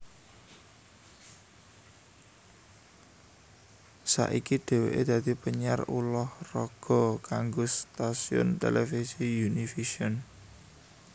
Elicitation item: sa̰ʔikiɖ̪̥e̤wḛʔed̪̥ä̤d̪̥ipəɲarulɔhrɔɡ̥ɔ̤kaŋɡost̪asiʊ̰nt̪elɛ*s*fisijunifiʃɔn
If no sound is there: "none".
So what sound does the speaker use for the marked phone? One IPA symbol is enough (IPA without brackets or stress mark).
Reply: none